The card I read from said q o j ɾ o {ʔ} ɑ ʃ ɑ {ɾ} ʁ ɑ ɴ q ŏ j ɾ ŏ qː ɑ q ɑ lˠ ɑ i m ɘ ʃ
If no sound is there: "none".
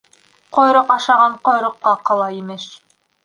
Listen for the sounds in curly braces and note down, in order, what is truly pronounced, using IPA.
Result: q, none

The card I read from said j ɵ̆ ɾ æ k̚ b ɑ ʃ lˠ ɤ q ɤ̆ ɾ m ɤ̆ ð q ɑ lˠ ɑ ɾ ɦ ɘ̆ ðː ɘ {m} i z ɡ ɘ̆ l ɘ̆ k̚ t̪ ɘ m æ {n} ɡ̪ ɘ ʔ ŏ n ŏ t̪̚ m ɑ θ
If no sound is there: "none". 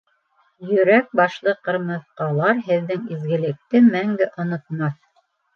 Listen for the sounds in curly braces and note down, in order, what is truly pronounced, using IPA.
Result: ŋ, ŋ

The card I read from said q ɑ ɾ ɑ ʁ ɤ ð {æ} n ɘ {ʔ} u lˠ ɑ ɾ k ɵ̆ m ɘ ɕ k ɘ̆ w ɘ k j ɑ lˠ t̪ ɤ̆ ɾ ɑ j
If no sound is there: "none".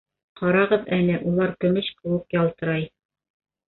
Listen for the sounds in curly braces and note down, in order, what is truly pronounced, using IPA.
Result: æ, ʔ

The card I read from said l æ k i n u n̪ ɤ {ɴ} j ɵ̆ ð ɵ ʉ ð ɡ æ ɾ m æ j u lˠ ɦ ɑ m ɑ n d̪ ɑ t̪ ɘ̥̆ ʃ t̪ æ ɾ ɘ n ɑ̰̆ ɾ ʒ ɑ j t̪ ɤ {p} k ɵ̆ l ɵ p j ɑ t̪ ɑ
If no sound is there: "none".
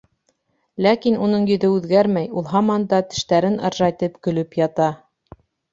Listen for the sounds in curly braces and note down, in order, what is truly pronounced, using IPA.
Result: ɴ, p

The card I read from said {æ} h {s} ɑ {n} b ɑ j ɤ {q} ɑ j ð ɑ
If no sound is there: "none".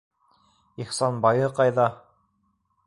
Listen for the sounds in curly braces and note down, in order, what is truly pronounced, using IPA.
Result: i, s, n, q

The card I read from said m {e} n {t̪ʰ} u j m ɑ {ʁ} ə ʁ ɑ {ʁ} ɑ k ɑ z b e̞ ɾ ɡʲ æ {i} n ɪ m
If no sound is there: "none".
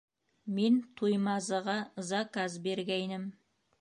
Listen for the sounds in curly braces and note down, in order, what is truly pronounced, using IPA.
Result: e, t̪ʰ, z, z, j

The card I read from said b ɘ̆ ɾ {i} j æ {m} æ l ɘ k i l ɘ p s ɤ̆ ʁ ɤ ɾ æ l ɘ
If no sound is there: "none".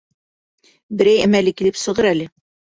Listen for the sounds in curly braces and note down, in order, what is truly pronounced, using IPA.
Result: æ, m

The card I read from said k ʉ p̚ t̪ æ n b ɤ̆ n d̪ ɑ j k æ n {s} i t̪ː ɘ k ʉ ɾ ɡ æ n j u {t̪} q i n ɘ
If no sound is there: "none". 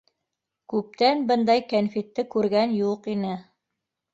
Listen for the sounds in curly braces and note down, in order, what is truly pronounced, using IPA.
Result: f, none

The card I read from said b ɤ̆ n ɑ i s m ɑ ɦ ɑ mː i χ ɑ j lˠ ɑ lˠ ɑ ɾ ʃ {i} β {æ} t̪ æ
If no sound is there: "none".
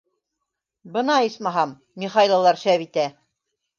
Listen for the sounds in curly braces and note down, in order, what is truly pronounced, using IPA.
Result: æ, i

